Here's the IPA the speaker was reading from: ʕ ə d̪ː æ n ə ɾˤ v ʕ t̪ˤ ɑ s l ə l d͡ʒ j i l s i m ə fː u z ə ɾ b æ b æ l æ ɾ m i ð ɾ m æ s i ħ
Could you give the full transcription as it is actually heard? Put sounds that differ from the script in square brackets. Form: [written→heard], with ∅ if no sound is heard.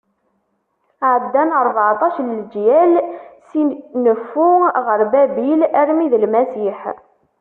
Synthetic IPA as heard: ʕ ə d̪ː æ n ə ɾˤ v ʕ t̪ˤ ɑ [s→ʃ] l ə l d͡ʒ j [i→æ] l s i [m→n] ə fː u [z→ʁ] ə ɾ b æ b [æ→i] l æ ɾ m i ð [ɾ→l] m æ s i ħ

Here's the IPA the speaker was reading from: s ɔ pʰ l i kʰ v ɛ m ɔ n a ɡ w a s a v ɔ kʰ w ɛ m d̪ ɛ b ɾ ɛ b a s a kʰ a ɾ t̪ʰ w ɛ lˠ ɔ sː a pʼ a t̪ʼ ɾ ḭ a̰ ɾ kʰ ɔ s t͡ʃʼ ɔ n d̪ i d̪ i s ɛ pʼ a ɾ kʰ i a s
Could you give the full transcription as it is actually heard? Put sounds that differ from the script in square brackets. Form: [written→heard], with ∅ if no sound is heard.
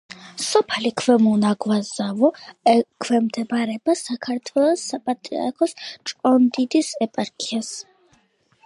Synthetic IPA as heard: s ɔ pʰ l i kʰ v ɛ m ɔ n a ɡ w a [s→z] a v ɔ kʰ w ɛ m d̪ ɛ b ɾ ɛ b a s a kʰ a ɾ t̪ʰ w ɛ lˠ ɔ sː a pʼ a t̪ʼ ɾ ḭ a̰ ɾ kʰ ɔ s t͡ʃʼ ɔ n d̪ i d̪ i s ɛ pʼ a ɾ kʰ i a s

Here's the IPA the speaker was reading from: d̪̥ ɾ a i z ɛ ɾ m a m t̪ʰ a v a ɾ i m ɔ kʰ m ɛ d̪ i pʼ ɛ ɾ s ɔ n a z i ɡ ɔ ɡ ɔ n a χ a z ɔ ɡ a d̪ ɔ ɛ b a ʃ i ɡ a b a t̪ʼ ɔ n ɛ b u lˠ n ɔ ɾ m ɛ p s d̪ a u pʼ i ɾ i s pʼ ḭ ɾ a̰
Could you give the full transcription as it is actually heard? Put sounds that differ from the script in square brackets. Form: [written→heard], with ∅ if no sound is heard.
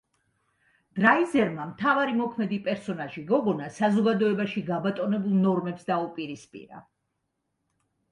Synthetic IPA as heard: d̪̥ ɾ a i z ɛ ɾ m a m t̪ʰ a v a ɾ i m ɔ kʰ m ɛ d̪ i pʼ ɛ ɾ s ɔ n a [z→ʒ] i ɡ ɔ ɡ ɔ n a [χ→s] a z ɔ ɡ a d̪ ɔ ɛ b a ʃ i ɡ a b a t̪ʼ ɔ n ɛ b u lˠ n ɔ ɾ m ɛ p s d̪ a u pʼ i ɾ i s pʼ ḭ ɾ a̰

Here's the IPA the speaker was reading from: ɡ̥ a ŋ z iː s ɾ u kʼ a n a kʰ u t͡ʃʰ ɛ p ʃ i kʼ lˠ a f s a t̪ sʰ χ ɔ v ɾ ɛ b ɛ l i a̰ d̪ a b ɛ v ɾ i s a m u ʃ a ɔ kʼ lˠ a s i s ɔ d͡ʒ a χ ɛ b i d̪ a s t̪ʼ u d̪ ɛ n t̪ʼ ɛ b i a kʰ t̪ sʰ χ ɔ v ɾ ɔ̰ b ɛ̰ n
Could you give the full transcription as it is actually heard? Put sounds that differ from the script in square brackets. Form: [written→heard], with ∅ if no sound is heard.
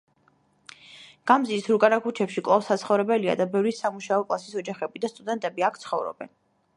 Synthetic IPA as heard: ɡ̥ a [ŋ→m] z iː s ɾ u kʼ a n a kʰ u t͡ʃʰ ɛ p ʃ i kʼ lˠ a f s a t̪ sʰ χ ɔ v ɾ ɛ b ɛ l i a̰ d̪ a b ɛ v ɾ i s a m u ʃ a ɔ kʼ lˠ a s i s ɔ d͡ʒ a χ ɛ b i d̪ a s t̪ʼ u d̪ ɛ n t̪ʼ ɛ b i a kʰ t̪ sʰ χ ɔ v ɾ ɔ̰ b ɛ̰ n

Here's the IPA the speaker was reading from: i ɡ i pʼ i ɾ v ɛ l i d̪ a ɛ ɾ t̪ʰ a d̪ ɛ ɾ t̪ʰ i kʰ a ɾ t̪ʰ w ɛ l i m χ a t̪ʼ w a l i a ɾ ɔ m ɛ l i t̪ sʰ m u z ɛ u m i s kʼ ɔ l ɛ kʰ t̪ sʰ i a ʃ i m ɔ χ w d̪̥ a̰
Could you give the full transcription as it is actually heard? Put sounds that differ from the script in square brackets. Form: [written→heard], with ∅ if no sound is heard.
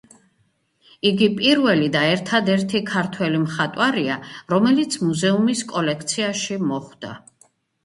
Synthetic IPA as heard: i ɡ i pʼ i ɾ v ɛ l i d̪ a ɛ ɾ t̪ʰ a d̪ ɛ ɾ t̪ʰ i kʰ a ɾ t̪ʰ w ɛ l i m χ a t̪ʼ w a [l→ɾ] i a ɾ ɔ m ɛ l i t̪ sʰ m u z ɛ u m i s kʼ ɔ l ɛ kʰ t̪ sʰ i a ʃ i m ɔ χ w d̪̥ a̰

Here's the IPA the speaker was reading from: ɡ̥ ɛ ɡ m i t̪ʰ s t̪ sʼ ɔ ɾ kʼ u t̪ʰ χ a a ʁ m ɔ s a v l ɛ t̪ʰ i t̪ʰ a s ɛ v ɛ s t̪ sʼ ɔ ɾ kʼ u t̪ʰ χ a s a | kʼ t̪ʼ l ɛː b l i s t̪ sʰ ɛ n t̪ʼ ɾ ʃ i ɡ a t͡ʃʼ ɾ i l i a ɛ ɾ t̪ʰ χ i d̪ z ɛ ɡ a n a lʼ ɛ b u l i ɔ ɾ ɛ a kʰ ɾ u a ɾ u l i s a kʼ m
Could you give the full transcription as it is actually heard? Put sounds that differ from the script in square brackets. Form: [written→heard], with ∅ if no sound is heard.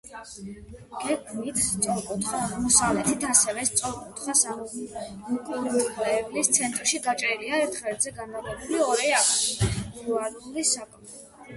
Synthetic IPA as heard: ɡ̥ ɛ ɡ m i t̪ʰ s t̪ sʼ ɔ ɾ kʼ u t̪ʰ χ a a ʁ m ɔ s a v l ɛ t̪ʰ i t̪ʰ a s ɛ v ɛ s t̪ sʼ ɔ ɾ kʼ u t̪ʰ χ a s a | kʼ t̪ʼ l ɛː b l i s t̪ sʰ ɛ n t̪ʼ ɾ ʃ i ɡ a t͡ʃʼ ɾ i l i a ɛ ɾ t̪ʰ χ [i→ɛ] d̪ z ɛ ɡ a n a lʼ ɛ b u l i ɔ ɾ ɛ a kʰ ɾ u a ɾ u l i s a kʼ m

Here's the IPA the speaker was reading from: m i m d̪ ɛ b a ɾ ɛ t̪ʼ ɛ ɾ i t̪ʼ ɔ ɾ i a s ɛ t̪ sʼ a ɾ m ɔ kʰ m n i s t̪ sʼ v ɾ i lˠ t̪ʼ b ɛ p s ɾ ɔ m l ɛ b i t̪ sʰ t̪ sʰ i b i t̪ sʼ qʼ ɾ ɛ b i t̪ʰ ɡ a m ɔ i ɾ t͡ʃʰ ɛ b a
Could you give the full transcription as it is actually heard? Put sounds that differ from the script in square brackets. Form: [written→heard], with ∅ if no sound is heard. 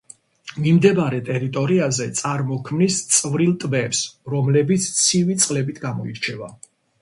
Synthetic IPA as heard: m i m d̪ ɛ b a ɾ ɛ t̪ʼ ɛ ɾ i t̪ʼ ɔ ɾ i a [s→z] ɛ t̪ sʼ a ɾ m ɔ kʰ m n i s t̪ sʼ v ɾ i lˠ t̪ʼ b ɛ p s ɾ ɔ m l ɛ b i t̪ sʰ t̪ sʰ i [b→v] i t̪ sʼ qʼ [ɾ→l] ɛ b i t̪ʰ ɡ a m ɔ i ɾ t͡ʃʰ ɛ [b→v] a

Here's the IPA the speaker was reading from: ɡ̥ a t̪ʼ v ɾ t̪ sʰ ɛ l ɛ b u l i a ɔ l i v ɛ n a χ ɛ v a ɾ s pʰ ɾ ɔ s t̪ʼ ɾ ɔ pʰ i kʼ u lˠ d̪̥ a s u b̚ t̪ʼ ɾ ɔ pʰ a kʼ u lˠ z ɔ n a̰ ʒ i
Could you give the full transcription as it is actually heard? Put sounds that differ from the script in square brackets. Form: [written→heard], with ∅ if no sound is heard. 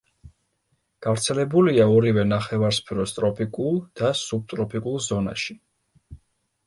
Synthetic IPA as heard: ɡ̥ a [t̪ʼ→∅] v ɾ t̪ sʰ ɛ l ɛ b u l i a ɔ [l→ɾ] i v ɛ n a χ ɛ v a ɾ s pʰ ɾ ɔ s t̪ʼ ɾ ɔ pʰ i kʼ u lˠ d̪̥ a s u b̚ t̪ʼ ɾ ɔ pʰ [a→i] kʼ u lˠ z ɔ n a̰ [ʒ→ʃ] i

